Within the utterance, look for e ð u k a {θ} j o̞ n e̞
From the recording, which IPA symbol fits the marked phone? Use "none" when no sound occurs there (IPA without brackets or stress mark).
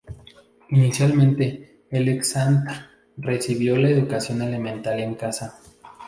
s